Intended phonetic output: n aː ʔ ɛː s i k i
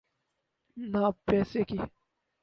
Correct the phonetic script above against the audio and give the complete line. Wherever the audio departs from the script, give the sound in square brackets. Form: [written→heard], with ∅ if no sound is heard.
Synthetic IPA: n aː [ʔ→p] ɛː s [i→e] k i